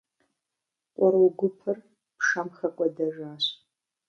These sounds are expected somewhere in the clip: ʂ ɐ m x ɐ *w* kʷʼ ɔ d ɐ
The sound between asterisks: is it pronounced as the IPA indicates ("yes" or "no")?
no